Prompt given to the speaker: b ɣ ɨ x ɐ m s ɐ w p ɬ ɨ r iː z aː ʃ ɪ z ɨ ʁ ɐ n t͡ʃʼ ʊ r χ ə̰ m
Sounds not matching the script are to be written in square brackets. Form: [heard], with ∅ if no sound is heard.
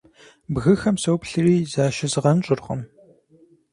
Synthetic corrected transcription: b ɣ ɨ x ɐ m s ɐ w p ɬ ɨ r iː z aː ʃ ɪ z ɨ ʁ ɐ n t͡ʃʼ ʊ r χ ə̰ m